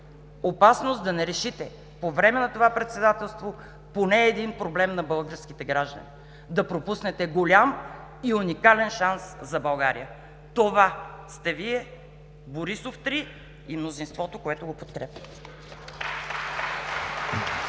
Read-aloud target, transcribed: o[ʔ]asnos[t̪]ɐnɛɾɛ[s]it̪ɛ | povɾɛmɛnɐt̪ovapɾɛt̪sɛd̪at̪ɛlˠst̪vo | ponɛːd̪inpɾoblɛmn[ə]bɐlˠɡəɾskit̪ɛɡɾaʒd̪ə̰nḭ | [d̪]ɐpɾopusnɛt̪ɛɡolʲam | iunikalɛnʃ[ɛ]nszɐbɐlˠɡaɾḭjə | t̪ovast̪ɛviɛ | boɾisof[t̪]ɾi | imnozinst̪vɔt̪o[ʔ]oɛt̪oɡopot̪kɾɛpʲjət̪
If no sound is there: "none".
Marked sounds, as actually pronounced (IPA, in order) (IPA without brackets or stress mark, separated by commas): p, d̪, ʃ, ɐ, d̪, a, t̪, k